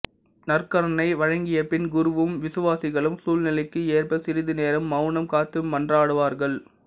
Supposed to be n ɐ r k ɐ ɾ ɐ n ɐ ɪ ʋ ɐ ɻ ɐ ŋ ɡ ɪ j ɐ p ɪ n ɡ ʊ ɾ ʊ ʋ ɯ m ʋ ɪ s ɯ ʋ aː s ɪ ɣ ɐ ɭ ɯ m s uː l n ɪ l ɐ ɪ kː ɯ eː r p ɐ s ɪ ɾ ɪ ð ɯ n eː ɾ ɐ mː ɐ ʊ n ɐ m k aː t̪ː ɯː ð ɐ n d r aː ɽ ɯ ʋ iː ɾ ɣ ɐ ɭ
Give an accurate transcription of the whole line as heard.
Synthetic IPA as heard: n ɐ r k ɐ ɾ ɐ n ɐ ɪ ʋ ɐ ɻ ɐ ŋ ɡ ɪ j ɐ p ɪ n ɡ ʊ ɾ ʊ ʋ ɯ m ʋ ɪ s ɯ ʋ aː s ɪ ɣ ɐ ɭ ɯ m s uː l n ɪ l ɐ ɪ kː ɯ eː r p ɐ s ɪ ɾ ɪ ð ɯ n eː ɾ ɐ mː ɐ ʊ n ɐ m k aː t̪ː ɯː ɐ n d r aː ɽ ɯ ʋ aː ɾ ɣ ɐ ɭ